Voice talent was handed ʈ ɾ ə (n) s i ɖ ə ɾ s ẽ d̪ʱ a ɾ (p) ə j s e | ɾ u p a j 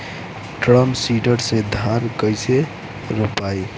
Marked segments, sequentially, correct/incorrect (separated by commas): incorrect, incorrect